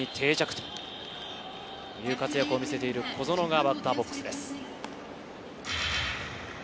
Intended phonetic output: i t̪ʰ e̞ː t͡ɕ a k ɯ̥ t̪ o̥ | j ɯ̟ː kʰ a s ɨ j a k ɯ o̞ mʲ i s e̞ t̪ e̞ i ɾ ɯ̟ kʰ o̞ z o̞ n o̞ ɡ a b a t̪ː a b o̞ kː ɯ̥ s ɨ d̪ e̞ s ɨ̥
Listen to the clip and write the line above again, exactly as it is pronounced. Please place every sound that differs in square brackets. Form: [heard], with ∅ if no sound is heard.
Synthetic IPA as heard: i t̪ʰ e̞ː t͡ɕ a k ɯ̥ t̪ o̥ | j ɯ̟ː [k] a [t͡s] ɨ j a k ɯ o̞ mʲ i s e̞ t̪ e̞ i ɾ ɯ̟ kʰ o̞ z o̞ n o̞ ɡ a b a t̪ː a b o̞ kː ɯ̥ s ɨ d̪ e̞ s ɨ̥

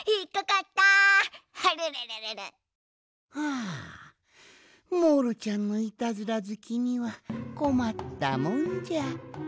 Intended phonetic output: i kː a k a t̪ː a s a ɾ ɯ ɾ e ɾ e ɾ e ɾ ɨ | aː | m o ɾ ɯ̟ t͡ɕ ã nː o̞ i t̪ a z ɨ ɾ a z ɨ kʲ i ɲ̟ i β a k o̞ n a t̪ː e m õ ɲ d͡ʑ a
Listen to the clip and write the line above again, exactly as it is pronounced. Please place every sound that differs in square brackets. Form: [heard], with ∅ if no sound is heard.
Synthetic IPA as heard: i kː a k a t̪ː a [h] a ɾ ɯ ɾ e ɾ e ɾ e ɾ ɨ | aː | m o ɾ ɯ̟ t͡ɕ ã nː o̞ i t̪ a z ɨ ɾ a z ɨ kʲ i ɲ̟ i β a k o̞ [m] a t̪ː [a] m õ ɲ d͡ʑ a

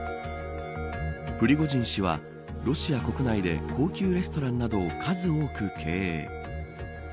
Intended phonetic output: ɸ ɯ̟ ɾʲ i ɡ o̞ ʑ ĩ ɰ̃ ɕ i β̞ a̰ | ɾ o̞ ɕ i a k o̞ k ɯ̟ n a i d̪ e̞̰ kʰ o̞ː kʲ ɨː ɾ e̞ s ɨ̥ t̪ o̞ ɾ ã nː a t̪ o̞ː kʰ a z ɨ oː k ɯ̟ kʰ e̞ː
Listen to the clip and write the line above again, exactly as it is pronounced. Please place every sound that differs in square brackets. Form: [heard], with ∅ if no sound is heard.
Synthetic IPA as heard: ɸ ɯ̟ ɾʲ i ɡ o̞ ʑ ĩ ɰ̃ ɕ i β̞ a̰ | ɾ o̞ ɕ i a k o̞ k ɯ̟ n a i d̪ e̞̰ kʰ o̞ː kʲ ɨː ɾ e̞ s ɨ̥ t̪ o̞ ɾ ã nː a [d̪] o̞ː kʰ a z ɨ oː k ɯ̟ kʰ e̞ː

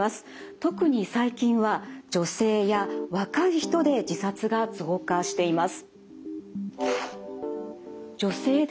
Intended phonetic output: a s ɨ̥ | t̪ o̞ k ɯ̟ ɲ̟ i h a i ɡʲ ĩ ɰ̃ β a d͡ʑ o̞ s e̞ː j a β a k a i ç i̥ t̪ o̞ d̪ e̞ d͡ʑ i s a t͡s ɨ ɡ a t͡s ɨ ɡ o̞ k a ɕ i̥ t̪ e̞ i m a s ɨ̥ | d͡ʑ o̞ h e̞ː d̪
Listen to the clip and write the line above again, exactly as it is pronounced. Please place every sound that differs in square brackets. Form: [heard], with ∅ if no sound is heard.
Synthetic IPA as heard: a s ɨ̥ | t̪ o̞ k ɯ̟ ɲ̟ i [s] a i [kʲ] ĩ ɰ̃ β a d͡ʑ o̞ s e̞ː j a β a k a i ç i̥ t̪ o̞ d̪ e̞ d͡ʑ i s a t͡s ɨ ɡ a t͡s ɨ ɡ o̞ k a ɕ i̥ t̪ e̞ i m a s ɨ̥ | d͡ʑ o̞ [s] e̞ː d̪

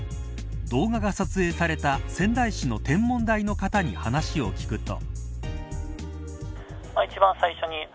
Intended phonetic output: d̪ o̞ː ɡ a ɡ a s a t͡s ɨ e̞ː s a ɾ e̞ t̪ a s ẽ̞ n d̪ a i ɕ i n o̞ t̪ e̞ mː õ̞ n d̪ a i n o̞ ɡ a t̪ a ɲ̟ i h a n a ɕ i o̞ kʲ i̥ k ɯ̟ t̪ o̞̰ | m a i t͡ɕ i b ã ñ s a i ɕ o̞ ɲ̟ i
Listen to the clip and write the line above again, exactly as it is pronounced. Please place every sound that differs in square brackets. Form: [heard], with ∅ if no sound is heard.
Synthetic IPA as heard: d̪ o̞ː ɡ a ɡ a s a t͡s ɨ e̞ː s a ɾ e̞ t̪ a s ẽ̞ n d̪ a i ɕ i n o̞ t̪ [ẽ̞] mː õ̞ n d̪ a i n o̞ [k] a t̪ a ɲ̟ i h a n a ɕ i o̞ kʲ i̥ k ɯ̟ t̪ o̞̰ | m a i t͡ɕ i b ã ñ s a i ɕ o̞ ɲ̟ i

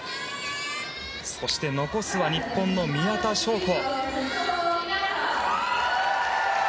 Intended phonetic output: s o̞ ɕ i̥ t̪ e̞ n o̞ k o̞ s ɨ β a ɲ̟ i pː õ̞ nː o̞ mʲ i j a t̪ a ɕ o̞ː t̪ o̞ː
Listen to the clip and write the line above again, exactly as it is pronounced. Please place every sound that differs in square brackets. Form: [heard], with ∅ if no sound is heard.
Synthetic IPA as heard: s o̞ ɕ i̥ t̪ e̞ n o̞ k o̞ s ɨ β a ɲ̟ i pː õ̞ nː o̞ mʲ i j a t̪ a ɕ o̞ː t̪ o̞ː

